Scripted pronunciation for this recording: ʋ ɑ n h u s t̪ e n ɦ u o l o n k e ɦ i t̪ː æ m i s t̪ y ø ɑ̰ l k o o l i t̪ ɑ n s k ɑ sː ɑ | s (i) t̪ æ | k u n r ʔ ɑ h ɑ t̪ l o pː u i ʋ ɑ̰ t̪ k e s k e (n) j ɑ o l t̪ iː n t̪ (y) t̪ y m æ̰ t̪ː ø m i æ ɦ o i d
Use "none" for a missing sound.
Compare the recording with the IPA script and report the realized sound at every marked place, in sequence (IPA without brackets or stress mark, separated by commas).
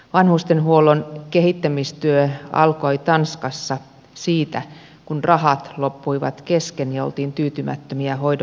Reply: iː, n, yː